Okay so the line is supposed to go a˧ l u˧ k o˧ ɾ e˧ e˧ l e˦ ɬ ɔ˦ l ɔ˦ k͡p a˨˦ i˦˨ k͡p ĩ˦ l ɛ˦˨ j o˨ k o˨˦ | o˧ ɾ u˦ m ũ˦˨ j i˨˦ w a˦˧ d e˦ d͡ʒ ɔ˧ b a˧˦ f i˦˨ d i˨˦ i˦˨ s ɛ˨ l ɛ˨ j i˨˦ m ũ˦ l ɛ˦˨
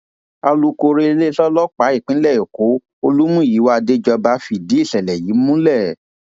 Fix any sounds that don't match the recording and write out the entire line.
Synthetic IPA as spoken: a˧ l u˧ k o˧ ɾ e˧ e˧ l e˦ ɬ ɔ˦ l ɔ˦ k͡p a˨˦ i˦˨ k͡p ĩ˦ l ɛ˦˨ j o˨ k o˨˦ | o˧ l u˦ m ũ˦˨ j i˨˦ w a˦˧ d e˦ d͡ʒ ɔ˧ b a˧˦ f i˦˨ d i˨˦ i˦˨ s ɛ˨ l ɛ˨ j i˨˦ m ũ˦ l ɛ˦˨